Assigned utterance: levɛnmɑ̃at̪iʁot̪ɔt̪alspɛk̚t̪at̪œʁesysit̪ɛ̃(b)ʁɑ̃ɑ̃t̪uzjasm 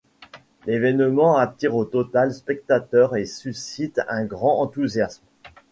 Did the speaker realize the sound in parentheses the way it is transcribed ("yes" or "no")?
no